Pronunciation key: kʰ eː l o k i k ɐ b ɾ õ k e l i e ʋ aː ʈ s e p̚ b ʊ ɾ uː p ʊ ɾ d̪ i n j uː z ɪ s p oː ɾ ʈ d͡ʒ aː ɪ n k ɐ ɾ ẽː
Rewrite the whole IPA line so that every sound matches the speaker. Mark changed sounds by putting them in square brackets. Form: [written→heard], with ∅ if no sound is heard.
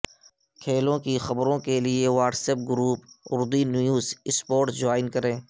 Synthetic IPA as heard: kʰ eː l [o→õ] k i [k→x] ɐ b ɾ õ k e l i e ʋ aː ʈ s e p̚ [b→ɡ] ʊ ɾ uː p ʊ ɾ d̪ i n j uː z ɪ s p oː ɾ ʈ d͡ʒ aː ɪ n k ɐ ɾ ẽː